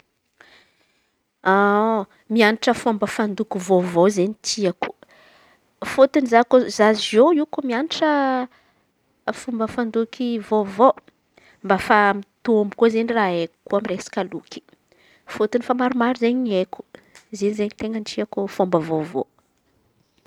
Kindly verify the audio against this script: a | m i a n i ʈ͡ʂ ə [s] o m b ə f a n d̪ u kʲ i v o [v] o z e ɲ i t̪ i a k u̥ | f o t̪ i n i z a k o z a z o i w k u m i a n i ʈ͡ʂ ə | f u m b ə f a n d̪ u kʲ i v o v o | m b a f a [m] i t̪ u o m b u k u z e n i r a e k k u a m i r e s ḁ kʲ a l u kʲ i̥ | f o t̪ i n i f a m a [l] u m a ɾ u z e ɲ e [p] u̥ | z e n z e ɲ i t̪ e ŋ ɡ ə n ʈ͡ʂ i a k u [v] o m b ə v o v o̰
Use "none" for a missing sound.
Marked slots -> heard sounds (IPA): f, v, m, ɾ, k, f

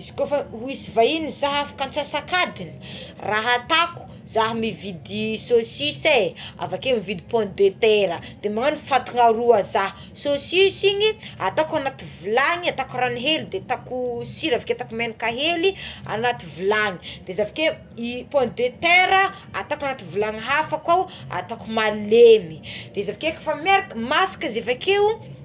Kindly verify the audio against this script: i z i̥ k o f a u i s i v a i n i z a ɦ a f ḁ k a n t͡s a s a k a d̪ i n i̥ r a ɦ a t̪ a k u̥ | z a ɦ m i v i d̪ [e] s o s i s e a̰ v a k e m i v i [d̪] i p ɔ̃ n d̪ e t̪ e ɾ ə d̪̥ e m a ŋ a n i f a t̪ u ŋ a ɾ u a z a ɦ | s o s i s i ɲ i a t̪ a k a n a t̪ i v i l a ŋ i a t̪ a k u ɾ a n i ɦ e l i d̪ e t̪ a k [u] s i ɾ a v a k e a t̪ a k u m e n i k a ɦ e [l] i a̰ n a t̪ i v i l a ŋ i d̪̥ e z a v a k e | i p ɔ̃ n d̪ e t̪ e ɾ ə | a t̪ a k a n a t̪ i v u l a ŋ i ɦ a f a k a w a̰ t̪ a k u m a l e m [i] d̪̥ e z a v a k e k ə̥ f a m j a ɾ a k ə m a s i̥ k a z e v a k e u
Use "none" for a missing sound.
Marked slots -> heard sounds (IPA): i, d̪, u, l, i

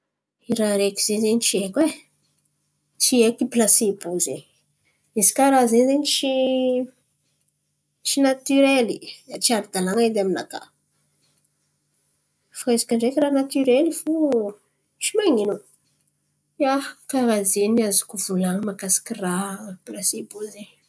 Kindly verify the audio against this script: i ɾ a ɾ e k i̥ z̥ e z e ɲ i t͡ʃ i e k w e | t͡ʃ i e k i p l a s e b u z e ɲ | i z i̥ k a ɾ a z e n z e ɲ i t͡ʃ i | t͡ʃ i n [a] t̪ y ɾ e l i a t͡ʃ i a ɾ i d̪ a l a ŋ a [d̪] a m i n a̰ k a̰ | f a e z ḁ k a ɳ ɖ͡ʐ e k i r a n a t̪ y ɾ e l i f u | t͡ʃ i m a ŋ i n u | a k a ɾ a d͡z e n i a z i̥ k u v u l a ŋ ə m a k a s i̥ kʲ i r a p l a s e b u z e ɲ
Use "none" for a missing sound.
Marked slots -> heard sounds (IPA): a, d̪

